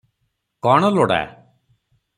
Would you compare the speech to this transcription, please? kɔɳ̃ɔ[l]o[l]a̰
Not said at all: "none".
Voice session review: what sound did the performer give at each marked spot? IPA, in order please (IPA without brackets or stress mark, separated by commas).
l, ɽ